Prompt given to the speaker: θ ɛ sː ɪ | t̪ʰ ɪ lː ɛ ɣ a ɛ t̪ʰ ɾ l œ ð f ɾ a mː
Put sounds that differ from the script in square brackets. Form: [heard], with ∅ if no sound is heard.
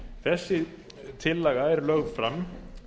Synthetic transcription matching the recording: θ ɛ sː ɪ | t̪ʰ ɪ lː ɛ ɣ a ɛ [∅] ɾ l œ [ɣ] f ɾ a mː